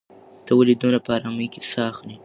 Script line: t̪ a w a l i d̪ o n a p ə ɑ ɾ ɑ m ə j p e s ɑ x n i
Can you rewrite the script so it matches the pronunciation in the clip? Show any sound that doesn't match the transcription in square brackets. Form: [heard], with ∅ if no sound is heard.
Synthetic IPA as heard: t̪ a w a l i d̪ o n a p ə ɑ ɾ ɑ m ə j [k] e s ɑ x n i